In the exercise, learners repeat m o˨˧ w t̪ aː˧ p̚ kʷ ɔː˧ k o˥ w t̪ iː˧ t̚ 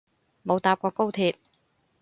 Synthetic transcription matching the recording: m o˨˧ w t̪ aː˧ p̚ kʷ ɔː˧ k o˥ w t̪ʰ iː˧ t̚

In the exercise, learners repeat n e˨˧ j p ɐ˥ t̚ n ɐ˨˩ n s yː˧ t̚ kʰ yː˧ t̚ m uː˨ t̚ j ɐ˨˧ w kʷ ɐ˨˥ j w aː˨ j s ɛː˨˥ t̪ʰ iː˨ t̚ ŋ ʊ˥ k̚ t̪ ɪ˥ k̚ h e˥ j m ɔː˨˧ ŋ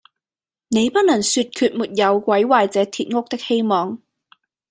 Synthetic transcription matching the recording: n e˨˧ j p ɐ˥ t̚ n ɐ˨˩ ŋ s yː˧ t̚ kʰ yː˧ t̚ m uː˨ t̚ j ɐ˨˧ w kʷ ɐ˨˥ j w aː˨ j t͡s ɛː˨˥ t̪ʰ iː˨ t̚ ŋ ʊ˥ k̚ t̪ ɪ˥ k̚ h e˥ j m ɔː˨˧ ŋ

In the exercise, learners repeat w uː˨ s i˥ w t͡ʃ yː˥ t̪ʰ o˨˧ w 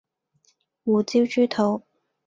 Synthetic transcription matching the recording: w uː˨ t͡s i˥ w t͡ʃ yː˥ t̪ʰ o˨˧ w

